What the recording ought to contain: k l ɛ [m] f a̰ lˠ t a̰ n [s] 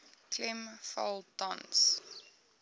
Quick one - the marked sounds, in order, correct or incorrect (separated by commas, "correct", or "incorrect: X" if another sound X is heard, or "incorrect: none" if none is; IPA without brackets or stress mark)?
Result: correct, correct